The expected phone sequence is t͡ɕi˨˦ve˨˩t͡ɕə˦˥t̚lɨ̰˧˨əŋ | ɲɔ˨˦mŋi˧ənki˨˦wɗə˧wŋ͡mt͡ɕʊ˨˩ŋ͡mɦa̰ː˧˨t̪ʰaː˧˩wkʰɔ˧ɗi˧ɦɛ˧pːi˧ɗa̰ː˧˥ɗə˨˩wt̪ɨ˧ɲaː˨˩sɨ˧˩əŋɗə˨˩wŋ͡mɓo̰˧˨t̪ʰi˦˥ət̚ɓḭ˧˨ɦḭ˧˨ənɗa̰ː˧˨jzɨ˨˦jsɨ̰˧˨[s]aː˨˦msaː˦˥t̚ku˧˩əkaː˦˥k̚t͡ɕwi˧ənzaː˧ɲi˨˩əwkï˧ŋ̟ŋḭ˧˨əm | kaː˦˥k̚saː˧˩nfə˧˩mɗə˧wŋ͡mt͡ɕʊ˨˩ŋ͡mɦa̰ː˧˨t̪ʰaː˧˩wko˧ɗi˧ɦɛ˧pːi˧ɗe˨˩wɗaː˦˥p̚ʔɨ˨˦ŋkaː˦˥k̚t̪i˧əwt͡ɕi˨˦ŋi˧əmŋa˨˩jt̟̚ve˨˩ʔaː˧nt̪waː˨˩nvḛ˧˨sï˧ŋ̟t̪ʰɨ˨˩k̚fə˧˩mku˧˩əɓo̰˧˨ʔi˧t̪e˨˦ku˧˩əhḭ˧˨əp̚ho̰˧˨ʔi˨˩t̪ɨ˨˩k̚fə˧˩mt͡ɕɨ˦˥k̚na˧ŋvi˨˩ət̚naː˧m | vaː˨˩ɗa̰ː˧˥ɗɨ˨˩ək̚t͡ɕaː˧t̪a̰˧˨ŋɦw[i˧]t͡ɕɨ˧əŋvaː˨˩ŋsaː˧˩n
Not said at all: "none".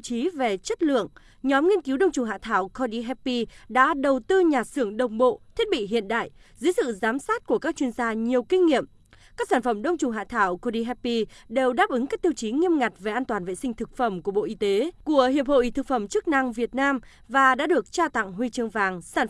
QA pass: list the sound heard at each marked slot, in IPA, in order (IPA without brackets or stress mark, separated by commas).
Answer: z, i˧